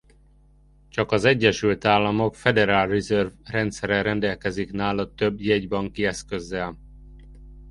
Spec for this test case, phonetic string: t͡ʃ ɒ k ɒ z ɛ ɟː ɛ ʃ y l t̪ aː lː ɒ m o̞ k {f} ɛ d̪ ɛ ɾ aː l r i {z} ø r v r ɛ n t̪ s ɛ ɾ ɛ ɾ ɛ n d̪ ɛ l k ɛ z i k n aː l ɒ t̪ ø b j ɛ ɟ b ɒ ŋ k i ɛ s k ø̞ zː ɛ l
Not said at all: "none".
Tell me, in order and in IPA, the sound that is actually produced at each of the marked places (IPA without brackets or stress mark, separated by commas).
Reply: f, z